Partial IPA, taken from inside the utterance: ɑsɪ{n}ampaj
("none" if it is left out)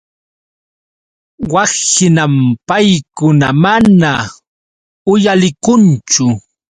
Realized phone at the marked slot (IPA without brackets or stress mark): n